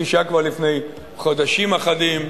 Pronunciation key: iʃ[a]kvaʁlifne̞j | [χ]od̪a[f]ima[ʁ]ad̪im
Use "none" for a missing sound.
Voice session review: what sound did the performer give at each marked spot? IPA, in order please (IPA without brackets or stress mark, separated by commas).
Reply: a, χ, ʃ, χ